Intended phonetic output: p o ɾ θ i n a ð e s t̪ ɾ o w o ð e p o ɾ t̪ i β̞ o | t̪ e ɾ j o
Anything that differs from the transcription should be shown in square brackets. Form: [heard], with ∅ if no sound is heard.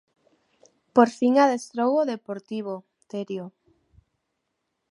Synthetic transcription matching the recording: p o ɾ [f] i [ŋ] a ð e s t̪ ɾ o w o ð e p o ɾ t̪ i β̞ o | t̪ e ɾ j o